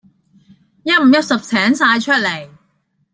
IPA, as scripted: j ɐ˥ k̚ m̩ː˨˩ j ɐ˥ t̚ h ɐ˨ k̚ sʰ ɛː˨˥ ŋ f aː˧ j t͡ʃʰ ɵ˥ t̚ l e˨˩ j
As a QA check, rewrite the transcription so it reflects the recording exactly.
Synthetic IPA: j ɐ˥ t̚ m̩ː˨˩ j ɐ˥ t̚ s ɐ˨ p̚ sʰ ɛː˨˥ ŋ s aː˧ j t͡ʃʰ ɵ˥ t̚ l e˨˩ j